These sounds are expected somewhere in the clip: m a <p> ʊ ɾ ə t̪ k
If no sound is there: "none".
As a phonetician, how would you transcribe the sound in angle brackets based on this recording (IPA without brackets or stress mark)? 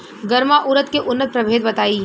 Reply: ʔ